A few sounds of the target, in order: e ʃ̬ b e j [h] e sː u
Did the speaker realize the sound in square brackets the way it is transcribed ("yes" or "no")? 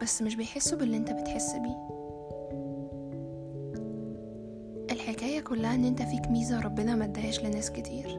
no